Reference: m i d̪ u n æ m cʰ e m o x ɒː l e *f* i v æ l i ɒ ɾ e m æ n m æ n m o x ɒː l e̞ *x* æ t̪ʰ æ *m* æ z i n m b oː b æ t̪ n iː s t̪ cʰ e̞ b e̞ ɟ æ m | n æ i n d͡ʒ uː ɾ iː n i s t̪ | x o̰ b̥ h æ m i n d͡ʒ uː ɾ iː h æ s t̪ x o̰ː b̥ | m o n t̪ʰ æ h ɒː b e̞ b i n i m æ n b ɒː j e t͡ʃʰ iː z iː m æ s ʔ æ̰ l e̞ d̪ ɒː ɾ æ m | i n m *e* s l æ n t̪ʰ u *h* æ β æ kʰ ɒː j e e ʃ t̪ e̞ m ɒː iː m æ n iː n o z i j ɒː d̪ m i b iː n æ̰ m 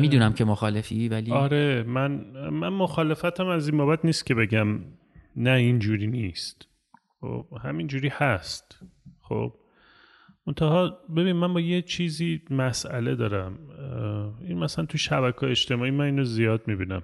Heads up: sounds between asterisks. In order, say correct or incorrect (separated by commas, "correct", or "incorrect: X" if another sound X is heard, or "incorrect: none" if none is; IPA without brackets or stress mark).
correct, incorrect: f, correct, incorrect: æ, incorrect: ʃ